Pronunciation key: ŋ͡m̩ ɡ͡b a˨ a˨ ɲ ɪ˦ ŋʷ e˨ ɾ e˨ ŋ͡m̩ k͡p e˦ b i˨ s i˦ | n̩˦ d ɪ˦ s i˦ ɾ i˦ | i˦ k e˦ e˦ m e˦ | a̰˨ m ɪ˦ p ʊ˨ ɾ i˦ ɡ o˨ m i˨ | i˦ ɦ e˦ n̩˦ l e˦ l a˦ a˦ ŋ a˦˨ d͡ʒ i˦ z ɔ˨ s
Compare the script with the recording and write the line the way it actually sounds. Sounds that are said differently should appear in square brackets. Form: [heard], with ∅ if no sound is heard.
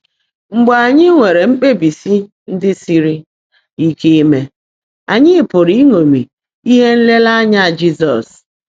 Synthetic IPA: ŋ͡m̩ ɡ͡b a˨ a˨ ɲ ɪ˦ ŋʷ e˨ ɾ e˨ ŋ͡m̩ k͡p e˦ b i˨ s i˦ | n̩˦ d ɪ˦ s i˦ ɾ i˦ | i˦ k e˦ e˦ m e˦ | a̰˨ [ɲ] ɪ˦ p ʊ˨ ɾ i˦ [ŋ] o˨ m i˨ | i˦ ɦ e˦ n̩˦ l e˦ l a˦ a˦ [ɲ] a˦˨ d͡ʒ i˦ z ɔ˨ s